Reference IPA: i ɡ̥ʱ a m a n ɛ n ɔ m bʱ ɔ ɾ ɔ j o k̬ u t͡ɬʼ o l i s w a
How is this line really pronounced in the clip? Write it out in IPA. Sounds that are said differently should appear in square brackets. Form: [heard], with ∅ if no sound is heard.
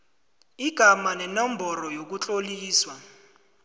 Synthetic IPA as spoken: i ɡ̥ʱ a m a n ɛ n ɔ m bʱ ɔ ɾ ɔ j o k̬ u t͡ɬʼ o l [iː] s w a